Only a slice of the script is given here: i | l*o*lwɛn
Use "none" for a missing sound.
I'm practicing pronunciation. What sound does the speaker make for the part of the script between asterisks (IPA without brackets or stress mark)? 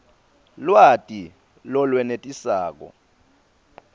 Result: ɔ